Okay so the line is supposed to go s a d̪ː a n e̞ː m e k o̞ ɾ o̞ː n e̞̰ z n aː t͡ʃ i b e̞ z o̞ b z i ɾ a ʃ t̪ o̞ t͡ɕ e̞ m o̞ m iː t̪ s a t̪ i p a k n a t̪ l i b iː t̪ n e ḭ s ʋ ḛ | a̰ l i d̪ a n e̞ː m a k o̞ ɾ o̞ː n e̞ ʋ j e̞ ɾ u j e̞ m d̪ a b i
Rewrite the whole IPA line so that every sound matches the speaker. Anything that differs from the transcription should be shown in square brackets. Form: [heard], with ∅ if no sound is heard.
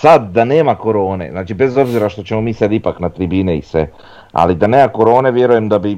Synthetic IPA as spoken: s a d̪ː a n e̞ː m [a] k o̞ ɾ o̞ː n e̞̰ z n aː t͡ʃ i b e̞ z o̞ b z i ɾ a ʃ t̪ o̞ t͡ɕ e̞ m o̞ m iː [∅] s a [d̪] i p a k n a t̪ [ɾ] i b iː [∅] n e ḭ s ʋ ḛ | a̰ l i d̪ a n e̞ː m a k o̞ ɾ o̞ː n e̞ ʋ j e̞ ɾ u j e̞ m d̪ a b i